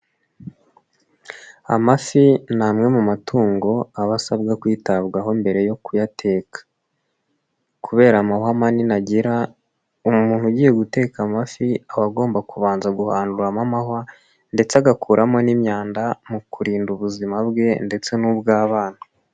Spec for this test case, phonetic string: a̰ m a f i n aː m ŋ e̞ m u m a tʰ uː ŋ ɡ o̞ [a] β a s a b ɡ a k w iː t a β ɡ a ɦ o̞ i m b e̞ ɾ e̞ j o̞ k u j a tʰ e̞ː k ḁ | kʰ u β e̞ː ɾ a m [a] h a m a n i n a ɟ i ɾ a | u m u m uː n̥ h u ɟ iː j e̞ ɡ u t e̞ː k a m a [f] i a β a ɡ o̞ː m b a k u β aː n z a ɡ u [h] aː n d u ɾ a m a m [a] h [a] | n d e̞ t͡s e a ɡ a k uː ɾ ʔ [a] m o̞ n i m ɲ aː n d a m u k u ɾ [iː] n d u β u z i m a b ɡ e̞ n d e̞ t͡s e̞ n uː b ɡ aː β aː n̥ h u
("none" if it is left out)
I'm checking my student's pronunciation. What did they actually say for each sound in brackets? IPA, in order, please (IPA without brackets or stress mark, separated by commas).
a, a, f, h, a, a, a, iː